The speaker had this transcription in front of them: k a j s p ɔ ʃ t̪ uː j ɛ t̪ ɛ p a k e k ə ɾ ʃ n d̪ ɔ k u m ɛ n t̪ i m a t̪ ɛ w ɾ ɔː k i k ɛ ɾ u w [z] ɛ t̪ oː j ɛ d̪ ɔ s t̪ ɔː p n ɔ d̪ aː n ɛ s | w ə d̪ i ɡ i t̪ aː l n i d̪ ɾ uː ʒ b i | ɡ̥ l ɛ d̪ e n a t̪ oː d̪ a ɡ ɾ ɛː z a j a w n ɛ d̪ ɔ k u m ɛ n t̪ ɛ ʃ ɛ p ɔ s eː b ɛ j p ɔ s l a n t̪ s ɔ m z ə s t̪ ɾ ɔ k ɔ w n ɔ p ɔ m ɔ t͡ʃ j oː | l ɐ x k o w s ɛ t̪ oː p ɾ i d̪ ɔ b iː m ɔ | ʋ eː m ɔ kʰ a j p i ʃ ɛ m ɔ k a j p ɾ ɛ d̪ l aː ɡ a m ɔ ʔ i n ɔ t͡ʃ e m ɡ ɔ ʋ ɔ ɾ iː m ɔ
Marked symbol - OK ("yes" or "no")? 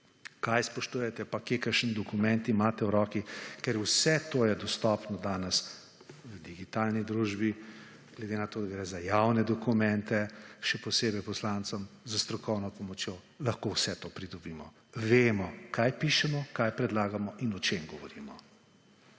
no